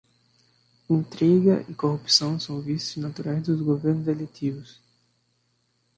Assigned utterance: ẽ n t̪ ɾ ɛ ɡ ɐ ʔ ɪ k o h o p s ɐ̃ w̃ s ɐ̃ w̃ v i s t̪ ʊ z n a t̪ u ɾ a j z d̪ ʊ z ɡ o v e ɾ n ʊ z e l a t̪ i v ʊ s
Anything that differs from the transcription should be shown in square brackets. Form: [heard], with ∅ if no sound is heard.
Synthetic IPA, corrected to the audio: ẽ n t̪ ɾ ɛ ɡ ɐ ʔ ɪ k o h [u] p s ɐ̃ w̃ s ɐ̃ w̃ v i s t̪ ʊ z n a t̪ u ɾ a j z d̪ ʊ z ɡ o v e ɾ n ʊ z e l [e] t̪ i v ʊ s